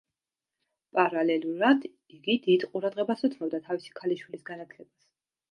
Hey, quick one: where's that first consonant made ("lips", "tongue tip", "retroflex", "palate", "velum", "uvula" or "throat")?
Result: lips